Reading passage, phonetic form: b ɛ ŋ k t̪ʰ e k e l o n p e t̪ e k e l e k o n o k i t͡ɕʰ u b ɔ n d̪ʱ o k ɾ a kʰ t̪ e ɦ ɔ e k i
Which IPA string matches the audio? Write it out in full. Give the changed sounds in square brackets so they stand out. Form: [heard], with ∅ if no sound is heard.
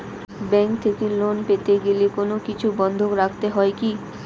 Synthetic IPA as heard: b ɛ ŋ k t̪ʰ e k e l o n p e t̪ e [ɡ] e l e k o n o k i t͡ɕʰ u b ɔ n d̪ʱ o k ɾ a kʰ t̪ e ɦ ɔ e k i